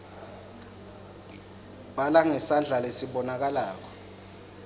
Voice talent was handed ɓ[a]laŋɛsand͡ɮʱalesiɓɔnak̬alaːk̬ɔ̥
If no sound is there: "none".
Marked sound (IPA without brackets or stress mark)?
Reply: a